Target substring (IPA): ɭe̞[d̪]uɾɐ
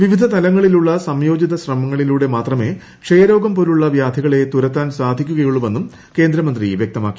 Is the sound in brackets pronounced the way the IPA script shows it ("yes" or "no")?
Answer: no